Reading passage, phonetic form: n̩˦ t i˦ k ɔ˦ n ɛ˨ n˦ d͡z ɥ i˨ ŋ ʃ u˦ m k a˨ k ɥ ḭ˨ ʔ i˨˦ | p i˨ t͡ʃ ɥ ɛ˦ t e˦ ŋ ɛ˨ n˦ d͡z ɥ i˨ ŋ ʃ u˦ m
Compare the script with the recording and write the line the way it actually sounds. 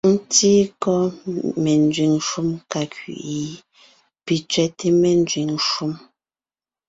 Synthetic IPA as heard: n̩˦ t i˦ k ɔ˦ m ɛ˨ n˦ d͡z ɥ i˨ ŋ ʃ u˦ m k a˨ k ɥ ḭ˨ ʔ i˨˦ | p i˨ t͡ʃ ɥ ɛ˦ t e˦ m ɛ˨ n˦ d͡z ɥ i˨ ŋ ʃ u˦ m